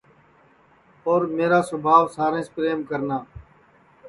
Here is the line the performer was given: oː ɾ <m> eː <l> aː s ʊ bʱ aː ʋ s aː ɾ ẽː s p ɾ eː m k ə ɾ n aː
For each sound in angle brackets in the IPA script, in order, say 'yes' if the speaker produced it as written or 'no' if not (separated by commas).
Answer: yes, no